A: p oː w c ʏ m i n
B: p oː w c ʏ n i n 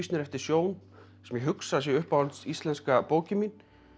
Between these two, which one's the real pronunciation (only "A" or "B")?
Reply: A